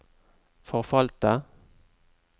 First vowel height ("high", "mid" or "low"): mid